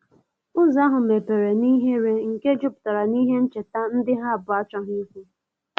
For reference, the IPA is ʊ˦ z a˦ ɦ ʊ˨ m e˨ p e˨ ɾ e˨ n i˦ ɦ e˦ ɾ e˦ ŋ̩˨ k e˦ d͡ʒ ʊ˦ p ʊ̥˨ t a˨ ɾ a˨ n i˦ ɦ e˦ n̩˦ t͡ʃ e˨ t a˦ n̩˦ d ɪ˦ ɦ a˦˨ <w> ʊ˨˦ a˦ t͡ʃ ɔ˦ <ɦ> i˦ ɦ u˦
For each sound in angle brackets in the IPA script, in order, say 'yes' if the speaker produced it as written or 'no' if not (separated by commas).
no, yes